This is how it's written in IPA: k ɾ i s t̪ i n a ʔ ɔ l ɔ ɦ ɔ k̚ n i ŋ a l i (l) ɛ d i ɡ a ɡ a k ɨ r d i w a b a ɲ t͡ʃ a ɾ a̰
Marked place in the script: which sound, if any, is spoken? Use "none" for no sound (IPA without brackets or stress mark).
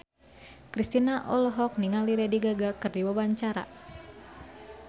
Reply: ɾ